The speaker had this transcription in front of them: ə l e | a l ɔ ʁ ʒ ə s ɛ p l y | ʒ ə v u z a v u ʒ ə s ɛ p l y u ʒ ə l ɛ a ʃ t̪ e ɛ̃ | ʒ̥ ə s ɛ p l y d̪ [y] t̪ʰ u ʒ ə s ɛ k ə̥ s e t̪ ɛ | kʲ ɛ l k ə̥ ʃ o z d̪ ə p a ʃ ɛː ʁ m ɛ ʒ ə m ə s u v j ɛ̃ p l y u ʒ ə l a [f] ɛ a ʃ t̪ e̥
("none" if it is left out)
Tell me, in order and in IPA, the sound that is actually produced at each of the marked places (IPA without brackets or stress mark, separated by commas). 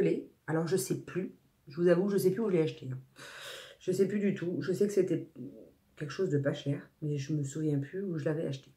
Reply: y, v